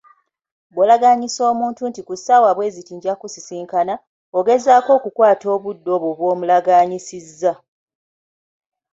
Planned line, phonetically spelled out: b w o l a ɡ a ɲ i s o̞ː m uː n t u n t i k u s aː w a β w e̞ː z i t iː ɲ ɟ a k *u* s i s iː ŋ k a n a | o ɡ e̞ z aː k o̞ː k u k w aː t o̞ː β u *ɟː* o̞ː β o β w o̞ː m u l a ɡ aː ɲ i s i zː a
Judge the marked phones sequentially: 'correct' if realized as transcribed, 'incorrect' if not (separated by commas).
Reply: correct, incorrect